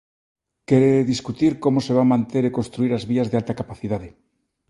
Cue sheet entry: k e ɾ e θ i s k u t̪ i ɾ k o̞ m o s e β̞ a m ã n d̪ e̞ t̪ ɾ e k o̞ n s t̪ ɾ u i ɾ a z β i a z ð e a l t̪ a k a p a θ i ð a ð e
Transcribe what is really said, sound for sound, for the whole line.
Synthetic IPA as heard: k e ɾ e ð i s k u t̪ i ɾ k o̞ m o s e β̞ a m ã n t̪ e̞ ɾ e k o̞ n s t̪ ɾ u i ɾ a z β i a z ð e a l t̪ a k a p a θ i ð a ð e